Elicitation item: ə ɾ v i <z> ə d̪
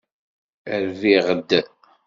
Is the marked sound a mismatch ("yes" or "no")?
yes